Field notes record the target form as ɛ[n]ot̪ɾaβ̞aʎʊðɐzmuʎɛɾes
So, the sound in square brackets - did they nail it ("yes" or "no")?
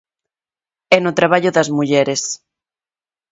yes